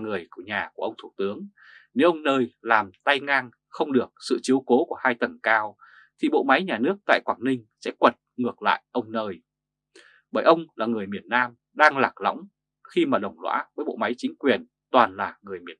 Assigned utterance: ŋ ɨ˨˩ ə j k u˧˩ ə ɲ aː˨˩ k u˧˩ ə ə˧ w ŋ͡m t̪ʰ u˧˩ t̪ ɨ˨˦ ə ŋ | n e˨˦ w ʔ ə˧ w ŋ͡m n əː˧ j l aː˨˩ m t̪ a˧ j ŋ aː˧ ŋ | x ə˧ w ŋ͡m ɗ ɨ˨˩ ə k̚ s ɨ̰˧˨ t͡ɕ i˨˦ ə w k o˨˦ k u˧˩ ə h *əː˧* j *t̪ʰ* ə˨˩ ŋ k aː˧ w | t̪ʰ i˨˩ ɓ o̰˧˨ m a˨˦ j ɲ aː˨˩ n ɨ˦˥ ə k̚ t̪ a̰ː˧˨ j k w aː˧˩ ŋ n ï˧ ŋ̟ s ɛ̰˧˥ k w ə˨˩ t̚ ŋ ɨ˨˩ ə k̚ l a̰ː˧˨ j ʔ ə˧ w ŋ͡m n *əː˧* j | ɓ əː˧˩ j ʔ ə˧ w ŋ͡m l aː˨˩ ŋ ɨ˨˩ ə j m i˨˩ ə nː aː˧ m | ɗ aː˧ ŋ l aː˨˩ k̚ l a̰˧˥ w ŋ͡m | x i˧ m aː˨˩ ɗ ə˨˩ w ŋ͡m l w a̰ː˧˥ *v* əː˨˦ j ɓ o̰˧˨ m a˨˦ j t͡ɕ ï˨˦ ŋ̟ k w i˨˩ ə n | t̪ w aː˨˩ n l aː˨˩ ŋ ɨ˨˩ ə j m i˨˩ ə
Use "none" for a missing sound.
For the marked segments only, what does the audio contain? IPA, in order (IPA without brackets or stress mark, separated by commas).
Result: aː˧, t̪, əː˧, v